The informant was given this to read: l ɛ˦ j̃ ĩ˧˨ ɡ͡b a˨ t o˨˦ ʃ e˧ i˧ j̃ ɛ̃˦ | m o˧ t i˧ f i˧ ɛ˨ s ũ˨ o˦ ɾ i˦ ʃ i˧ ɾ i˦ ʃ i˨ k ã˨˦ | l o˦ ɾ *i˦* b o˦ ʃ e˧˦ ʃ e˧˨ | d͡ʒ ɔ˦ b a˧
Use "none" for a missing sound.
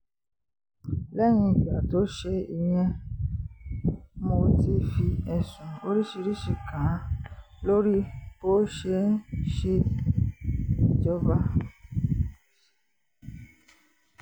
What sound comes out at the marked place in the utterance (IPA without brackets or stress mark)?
i˦